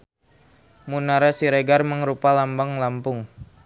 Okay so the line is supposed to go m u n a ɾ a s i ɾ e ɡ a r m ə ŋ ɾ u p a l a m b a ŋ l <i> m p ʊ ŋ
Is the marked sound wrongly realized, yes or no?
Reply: yes